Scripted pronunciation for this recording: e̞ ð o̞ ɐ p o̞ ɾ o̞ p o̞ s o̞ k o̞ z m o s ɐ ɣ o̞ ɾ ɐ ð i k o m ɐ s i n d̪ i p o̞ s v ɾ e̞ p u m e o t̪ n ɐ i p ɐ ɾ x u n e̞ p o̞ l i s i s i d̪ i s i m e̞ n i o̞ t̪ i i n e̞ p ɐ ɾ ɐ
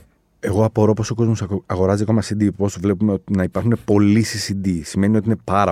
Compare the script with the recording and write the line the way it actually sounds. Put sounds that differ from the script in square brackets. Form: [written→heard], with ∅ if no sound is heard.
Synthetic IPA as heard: e̞ [ð→ɣ] o̞ ɐ p o̞ ɾ o̞ p o̞ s o̞ k o̞ z m o s ɐ ɣ o̞ ɾ ɐ [ð→z] i k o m ɐ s i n d̪ i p o̞ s v [ɾ→l] e̞ p u m e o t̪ n ɐ i p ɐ ɾ x u n e̞ p o̞ l i s i s i d̪ i s i m e̞ n i o̞ t̪ i i n e̞ p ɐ ɾ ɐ